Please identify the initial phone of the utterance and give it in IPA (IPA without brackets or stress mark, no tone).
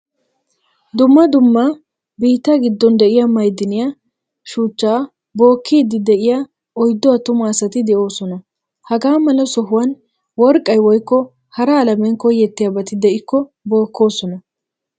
d̪